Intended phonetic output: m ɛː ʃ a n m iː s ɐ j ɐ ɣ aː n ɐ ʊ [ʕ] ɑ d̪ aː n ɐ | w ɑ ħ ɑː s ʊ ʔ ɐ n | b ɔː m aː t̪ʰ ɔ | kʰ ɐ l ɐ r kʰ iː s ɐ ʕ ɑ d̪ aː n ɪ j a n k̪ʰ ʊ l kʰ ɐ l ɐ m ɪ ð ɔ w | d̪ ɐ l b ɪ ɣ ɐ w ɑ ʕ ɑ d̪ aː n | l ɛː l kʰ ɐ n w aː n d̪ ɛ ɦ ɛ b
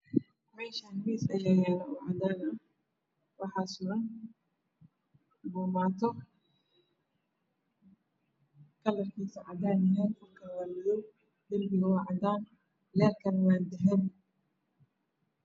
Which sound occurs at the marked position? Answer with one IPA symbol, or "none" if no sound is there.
ʕ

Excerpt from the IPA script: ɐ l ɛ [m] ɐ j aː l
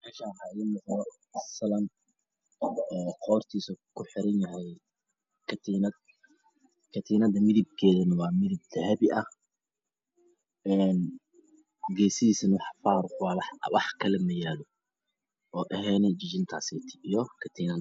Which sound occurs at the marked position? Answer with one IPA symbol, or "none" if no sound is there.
m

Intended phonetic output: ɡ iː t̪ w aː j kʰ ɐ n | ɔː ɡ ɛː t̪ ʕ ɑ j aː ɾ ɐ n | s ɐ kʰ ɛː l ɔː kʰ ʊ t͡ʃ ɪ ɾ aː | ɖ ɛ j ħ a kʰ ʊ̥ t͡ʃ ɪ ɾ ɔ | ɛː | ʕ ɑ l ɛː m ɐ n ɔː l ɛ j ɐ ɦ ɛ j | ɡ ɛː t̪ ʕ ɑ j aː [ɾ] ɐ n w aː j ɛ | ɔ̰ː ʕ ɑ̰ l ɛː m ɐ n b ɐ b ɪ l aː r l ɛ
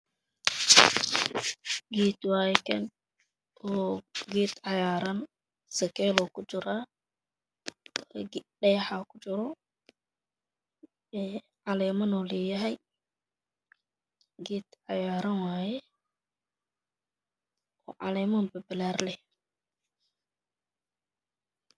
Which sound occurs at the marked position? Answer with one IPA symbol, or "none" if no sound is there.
ɾ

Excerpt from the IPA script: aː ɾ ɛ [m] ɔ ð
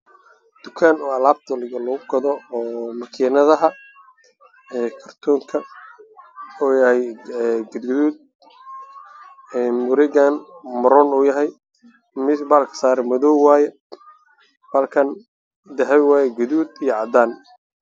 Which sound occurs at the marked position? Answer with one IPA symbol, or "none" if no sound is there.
m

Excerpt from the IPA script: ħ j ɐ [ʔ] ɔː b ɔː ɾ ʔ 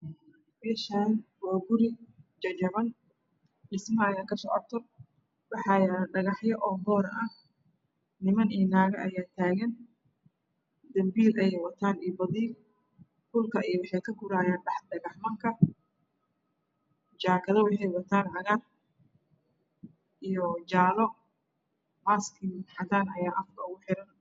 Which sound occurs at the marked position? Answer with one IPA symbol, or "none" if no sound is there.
ʔ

